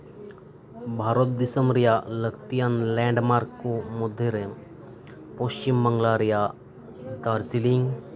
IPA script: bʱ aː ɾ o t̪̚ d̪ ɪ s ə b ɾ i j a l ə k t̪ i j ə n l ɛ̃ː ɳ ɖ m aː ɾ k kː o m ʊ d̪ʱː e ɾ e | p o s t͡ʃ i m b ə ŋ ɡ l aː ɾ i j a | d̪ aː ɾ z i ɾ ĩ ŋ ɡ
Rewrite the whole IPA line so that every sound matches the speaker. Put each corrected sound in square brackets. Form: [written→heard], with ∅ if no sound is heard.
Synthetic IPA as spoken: bʱ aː ɾ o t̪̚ d̪ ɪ s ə [b→m] ɾ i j a l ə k t̪ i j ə n l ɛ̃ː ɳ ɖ m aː ɾ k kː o m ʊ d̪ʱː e ɾ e | p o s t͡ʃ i m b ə ŋ ɡ l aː ɾ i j a | d̪ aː ɾ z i [ɾ→l] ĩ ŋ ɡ

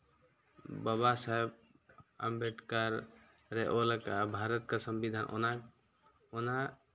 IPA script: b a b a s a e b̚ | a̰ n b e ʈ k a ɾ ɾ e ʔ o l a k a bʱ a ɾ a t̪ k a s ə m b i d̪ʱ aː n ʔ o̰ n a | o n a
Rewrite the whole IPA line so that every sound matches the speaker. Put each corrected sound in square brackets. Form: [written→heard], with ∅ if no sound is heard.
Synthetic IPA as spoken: b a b a s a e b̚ | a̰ [n→m] b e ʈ k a ɾ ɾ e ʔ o l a k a bʱ a ɾ [a→ə] t̪ k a s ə m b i d̪ʱ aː n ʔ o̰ n a | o n a

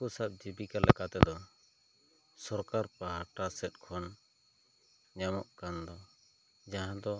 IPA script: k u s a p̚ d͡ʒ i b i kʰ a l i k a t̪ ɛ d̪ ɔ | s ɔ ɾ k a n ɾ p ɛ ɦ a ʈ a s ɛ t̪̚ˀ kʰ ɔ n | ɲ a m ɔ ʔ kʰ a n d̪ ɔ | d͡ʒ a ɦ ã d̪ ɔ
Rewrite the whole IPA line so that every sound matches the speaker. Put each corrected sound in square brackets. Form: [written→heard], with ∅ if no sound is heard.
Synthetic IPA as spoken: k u s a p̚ d͡ʒ i b i [kʰ→k] a l [i→ɛ] k a t̪ ɛ d̪ ɔ | s ɔ ɾ k a [n→∅] ɾ p [ɛ→a] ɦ a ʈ a s ɛ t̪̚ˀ kʰ ɔ n | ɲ a m ɔ ʔ [kʰ→k] a n d̪ ɔ | d͡ʒ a ɦ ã d̪ ɔ

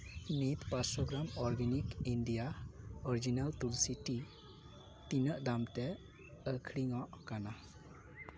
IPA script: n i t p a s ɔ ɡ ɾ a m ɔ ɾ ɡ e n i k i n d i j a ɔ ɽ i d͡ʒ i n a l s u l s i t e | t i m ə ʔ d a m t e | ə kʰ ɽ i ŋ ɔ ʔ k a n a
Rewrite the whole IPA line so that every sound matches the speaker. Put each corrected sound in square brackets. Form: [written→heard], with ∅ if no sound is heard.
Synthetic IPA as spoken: n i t p a s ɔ ɡ ɾ a m ɔ ɾ ɡ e n i k i n d i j a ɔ [ɽ→ɾ] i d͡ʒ i n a l [s→t] u l s i t [e→i] | t i [m→n] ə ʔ d a m t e | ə kʰ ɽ i ŋ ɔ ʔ k a n a

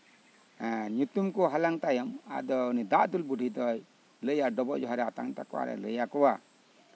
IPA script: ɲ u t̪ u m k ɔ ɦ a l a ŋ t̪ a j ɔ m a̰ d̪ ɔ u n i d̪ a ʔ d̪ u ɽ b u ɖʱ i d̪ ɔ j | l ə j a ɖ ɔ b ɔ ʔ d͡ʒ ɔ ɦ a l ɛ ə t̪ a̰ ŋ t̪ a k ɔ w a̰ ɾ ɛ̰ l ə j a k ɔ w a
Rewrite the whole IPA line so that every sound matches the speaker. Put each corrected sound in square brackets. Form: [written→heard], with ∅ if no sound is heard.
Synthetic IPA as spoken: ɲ u t̪ u m k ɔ ɦ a l a ŋ t̪ a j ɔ m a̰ d̪ ɔ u n i d̪ a ʔ d̪ u [ɽ→l] b u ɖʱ i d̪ ɔ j | l ə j a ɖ ɔ b ɔ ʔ d͡ʒ ɔ ɦ a [l→ɾ] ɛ [ə→a] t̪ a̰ ŋ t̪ a k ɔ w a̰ ɾ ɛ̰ l ə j a k ɔ w a

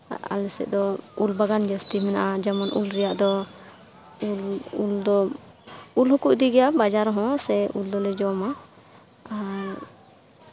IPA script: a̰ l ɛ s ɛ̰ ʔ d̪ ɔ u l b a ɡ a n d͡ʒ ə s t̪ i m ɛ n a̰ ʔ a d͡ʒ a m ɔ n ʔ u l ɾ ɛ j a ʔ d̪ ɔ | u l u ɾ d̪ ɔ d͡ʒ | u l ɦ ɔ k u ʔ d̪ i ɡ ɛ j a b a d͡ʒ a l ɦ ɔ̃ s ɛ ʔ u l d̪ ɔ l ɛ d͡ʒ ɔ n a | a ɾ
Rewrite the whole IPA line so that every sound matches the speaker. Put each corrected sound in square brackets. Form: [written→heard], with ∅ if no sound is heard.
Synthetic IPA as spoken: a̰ l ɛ s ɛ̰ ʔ d̪ ɔ u l b a ɡ a n d͡ʒ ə s t̪ i m ɛ n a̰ ʔ a d͡ʒ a m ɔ n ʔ u l ɾ ɛ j a ʔ d̪ ɔ | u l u [ɾ→l] d̪ ɔ [d͡ʒ→∅] | u l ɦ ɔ k u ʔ d̪ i ɡ ɛ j a b a d͡ʒ a [l→ɾ] ɦ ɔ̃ s ɛ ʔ u l d̪ ɔ l ɛ d͡ʒ ɔ [n→m] a | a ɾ

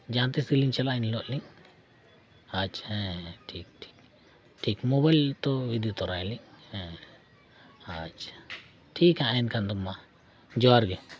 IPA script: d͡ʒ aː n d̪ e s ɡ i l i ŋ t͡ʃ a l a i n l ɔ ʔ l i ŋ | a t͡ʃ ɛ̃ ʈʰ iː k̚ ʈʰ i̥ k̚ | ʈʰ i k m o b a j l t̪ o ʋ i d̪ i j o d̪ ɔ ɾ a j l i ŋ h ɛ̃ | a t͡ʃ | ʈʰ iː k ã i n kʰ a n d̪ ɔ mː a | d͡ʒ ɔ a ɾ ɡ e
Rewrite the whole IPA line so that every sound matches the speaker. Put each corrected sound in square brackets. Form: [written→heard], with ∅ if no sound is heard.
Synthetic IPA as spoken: d͡ʒ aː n [d̪→t̪] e s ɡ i l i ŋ t͡ʃ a l a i n l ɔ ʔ l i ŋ | a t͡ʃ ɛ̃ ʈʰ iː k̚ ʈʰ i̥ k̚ | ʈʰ i k m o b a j l t̪ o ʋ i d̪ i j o [d̪→t̪] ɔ ɾ a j l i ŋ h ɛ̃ | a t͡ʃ | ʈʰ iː k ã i n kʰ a n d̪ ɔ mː a | d͡ʒ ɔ a ɾ ɡ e

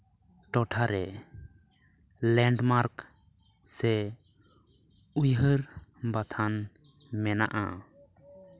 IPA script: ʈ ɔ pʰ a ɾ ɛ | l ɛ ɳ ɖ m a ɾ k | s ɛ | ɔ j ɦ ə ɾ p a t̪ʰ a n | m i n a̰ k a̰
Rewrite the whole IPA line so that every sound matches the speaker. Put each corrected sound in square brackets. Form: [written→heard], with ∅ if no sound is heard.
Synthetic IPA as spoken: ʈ ɔ [pʰ→ʈʰ] a ɾ ɛ | l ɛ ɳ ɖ m a ɾ k | s ɛ | [ɔ→u] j ɦ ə ɾ [p→b] a t̪ʰ a n | m [i→ɛ] n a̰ [k→ʔ] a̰

